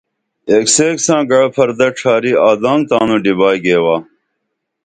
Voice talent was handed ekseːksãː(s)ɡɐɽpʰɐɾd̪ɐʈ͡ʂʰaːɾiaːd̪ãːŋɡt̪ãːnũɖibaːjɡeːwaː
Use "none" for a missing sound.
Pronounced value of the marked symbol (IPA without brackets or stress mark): none